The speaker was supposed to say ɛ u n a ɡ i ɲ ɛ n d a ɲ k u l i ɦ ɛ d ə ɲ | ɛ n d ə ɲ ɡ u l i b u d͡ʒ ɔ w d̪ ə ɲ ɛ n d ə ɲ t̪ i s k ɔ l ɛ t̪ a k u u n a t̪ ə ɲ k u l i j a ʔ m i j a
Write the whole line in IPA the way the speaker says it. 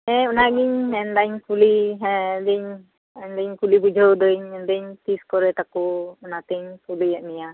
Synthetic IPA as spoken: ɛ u n a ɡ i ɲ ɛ n d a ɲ k u l i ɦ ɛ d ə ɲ | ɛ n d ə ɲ k u l i b u d͡ʒ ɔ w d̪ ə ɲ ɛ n d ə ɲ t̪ i s k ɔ ɾ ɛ t̪ a k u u n a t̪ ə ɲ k u l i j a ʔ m i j a